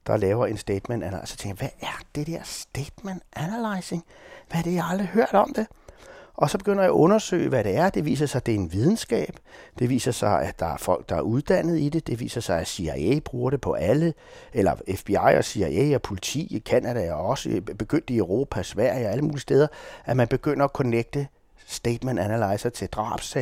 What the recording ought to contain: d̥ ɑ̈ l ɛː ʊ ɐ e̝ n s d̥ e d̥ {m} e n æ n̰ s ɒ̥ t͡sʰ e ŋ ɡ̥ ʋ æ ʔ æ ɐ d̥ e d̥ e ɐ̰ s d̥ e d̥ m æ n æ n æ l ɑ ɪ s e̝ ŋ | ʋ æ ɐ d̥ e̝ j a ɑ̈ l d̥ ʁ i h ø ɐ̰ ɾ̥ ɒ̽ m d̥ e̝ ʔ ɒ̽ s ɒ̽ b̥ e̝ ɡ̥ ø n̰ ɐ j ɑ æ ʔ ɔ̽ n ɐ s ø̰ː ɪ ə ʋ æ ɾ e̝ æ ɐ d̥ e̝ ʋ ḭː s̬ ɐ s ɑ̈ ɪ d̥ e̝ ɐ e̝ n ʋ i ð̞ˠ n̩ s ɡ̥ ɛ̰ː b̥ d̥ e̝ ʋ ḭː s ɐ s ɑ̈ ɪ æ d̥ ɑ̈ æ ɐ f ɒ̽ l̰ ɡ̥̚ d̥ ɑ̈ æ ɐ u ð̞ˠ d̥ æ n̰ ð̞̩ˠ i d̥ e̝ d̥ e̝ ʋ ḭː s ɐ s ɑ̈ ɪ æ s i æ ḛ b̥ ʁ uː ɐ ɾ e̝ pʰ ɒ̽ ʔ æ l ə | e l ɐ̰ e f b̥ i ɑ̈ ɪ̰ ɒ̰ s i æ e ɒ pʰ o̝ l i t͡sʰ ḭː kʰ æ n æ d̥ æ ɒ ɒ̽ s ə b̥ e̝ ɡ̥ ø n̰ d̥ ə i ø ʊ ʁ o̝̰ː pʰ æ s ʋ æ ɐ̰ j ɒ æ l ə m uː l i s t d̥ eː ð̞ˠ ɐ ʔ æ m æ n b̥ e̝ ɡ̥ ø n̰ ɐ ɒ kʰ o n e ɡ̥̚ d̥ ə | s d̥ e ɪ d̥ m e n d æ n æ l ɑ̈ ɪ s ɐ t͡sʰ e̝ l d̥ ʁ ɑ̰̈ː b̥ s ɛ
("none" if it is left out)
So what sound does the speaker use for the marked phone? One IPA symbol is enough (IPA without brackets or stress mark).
m